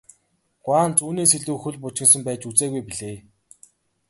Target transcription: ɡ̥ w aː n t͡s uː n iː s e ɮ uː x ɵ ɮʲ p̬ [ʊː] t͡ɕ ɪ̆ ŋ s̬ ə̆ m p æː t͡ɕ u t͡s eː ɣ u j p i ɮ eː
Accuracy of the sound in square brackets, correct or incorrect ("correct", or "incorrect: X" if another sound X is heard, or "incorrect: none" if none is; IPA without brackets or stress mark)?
incorrect: ʊ